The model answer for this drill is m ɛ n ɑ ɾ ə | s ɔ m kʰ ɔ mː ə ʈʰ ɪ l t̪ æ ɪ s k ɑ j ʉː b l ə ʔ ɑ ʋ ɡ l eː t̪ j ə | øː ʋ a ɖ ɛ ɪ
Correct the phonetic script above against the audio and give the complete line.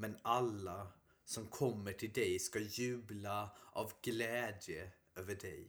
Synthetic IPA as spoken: m ɛ n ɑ l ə | s ɔ m kʰ ɔ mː ə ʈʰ ɪ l d̪ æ ɪ s k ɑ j ʉː b l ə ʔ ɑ ʋ ɡ l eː d̪ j ə | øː ʋ ə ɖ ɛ ɪ